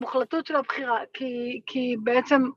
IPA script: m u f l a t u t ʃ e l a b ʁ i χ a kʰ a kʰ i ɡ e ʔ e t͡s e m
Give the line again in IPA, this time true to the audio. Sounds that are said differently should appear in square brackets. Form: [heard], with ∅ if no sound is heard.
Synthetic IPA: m u [χ] l a t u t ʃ e l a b [χ] i [ʁ] a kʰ [i] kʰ i [b] e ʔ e t͡s e m

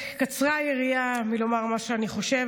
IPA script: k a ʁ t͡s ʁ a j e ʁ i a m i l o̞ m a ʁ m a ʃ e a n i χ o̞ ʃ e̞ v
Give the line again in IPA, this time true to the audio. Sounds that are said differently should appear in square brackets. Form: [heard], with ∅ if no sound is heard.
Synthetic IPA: k a [∅] t͡s ʁ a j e ʁ i a m i l o̞ m a ʁ m a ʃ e a n i χ o̞ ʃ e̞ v

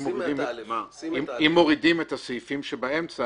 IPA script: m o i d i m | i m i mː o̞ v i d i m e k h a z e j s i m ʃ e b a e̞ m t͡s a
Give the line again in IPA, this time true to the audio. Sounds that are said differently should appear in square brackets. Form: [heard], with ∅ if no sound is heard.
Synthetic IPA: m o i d i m | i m i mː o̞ [ʁ] i d i m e [t] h a [s] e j [f] i m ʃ e b a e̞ m t͡s a

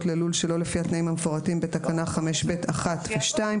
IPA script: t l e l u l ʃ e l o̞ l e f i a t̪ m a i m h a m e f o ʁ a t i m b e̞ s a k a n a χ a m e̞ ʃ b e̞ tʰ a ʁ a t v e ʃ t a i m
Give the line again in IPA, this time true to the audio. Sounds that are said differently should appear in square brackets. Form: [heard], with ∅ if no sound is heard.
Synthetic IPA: t l e l u l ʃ e l o̞ l e f i a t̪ [n] a i m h a m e f o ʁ a t i m b e̞ [t] a k a n a χ a m e̞ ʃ b e̞ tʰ a [χ] a t v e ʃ t a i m

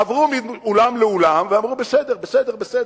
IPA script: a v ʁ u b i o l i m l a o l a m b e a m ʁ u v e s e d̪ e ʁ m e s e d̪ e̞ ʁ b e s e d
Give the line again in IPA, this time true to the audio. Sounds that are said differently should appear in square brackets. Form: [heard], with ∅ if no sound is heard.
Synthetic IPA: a v ʁ u [m] i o l [a] m l [e] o l a m [v] e a m ʁ u [b] e s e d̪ e ʁ [b] e s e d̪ e̞ ʁ b e s e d

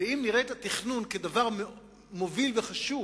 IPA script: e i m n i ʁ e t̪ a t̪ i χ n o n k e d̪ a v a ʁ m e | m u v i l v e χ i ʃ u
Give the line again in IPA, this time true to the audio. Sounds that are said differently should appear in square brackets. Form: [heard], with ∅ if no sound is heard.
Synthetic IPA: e i m n i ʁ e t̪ a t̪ i χ n [u] n k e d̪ a v a ʁ m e | m [o] v i l v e χ [a] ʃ u

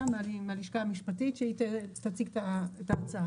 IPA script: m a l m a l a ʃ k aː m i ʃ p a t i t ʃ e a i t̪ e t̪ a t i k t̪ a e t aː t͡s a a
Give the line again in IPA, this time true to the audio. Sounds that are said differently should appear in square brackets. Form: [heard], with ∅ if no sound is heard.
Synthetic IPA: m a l m a l [i] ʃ k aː m i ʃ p a t i t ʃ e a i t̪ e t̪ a [t͡s] i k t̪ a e t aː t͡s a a

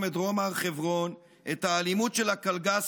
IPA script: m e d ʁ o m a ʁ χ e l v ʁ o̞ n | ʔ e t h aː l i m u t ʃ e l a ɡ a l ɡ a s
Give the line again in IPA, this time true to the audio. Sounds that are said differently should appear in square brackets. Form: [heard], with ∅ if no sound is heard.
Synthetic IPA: m e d ʁ o m a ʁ χ e [∅] v ʁ o̞ n | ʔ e t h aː l i m u t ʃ e l a [k] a l ɡ a s

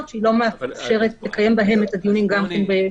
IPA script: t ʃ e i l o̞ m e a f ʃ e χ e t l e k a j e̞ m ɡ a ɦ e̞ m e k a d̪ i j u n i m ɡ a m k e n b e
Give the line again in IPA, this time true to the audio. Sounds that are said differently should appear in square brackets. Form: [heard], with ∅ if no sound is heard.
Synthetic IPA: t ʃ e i l o̞ m e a f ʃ e [ʁ] e t l e k a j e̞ m [b] a ɦ e̞ m e [t] a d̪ i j u n i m ɡ a m k e n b e

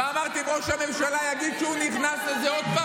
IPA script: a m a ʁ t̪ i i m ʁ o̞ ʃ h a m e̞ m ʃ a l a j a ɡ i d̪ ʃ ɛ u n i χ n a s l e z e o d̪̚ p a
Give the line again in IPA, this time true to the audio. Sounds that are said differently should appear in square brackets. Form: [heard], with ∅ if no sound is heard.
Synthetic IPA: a m a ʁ t̪ i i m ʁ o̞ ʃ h a m e̞ m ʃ a l a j a ɡ i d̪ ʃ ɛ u n i χ n a s l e z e o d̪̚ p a

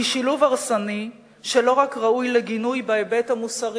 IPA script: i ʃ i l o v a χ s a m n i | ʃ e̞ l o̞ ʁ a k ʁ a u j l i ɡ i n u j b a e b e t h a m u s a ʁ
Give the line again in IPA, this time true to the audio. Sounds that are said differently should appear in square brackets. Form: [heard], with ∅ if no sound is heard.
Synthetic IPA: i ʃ i l [u] v a [ʁ] s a [∅] n i | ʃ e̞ l o̞ ʁ a k ʁ a u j l [e] ɡ i n u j b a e b e t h a m u s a ʁ

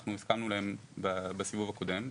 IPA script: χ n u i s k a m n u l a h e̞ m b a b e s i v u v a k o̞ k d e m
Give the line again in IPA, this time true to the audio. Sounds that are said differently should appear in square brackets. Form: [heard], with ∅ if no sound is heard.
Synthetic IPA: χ n u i s k a m n u l a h e̞ m b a b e s i v u v a k o̞ [∅] d e m

